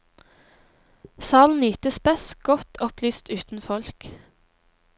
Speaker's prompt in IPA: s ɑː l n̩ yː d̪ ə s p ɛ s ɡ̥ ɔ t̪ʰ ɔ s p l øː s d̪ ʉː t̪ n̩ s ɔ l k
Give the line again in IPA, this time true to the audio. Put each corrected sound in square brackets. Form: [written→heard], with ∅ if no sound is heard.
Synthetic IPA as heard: s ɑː l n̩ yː [d̪→t̪] ə s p ɛ s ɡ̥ ɔ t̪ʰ ɔ [s→∅] p l [øː→yː] s [d̪→t̪] ʉː t̪ n̩ [s→f] ɔ l k